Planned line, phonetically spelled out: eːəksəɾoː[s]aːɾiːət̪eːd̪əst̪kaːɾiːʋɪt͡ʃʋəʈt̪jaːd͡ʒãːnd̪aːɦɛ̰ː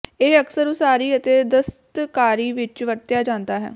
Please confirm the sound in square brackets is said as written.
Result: yes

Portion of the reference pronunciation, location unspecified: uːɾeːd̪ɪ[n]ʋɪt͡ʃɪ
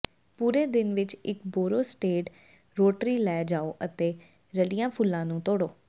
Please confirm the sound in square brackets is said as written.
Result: yes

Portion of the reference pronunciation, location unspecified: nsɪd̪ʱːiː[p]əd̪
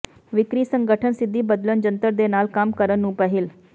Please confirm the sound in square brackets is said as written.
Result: no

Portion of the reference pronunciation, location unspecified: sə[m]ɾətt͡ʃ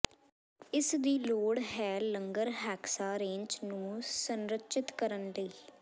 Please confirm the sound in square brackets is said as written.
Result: no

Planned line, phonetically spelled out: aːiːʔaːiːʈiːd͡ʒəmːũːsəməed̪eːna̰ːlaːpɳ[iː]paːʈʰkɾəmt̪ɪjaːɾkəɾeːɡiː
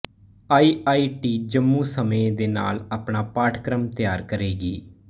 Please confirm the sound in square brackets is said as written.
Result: no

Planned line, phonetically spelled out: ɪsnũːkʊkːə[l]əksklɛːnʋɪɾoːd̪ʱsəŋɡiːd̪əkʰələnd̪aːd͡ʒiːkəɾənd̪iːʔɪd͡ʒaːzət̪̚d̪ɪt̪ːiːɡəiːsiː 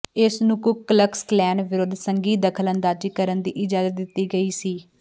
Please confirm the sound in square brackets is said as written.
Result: yes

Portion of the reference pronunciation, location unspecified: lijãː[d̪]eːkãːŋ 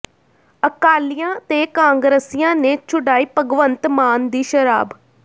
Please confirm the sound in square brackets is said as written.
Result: no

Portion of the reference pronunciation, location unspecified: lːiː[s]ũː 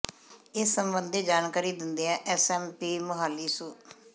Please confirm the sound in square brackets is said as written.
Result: yes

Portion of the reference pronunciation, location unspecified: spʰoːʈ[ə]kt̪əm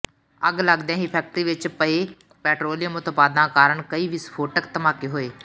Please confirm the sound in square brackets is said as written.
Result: yes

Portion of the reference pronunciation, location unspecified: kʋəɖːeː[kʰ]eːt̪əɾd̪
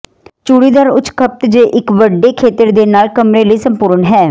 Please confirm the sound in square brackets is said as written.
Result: yes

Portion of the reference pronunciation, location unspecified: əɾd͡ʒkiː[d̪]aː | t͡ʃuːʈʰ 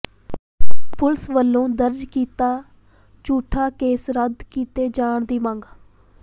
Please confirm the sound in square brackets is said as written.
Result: no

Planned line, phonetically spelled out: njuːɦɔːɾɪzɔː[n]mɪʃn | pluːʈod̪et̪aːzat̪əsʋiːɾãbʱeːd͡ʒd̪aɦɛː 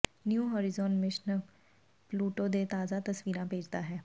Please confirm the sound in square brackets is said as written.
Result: yes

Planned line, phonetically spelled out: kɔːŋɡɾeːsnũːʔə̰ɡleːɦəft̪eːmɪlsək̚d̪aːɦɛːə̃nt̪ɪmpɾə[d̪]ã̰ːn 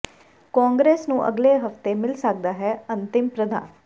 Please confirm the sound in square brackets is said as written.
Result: yes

